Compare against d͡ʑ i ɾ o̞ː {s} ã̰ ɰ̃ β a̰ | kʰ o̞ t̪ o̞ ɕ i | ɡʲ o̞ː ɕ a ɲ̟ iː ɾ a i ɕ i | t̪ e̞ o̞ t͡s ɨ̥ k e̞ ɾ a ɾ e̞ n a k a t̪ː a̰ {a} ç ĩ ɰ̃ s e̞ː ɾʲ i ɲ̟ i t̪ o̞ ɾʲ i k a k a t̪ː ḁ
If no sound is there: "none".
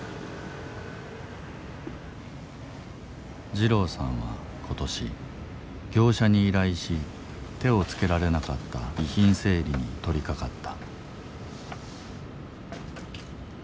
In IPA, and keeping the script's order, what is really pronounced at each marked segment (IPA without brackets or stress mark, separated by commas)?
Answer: s, i